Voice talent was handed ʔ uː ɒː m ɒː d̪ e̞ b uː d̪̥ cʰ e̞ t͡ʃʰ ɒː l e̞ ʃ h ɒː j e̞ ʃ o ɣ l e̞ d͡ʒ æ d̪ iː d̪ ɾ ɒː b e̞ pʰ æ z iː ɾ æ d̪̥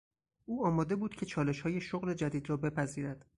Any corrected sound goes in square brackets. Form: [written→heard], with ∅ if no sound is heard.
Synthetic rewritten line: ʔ uː ɒː m ɒː d̪ e̞ b uː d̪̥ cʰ e̞ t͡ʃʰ ɒː l e̞ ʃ h ɒː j e̞ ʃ o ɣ l e̞ d͡ʒ æ d̪ iː d̪ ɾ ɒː b e̞ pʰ æ z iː ɾ æ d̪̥